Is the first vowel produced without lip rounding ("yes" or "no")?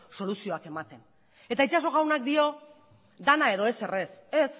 no